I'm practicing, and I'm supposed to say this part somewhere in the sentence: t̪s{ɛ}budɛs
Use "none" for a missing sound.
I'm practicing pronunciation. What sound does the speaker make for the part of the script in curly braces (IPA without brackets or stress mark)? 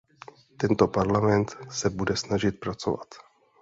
ɛ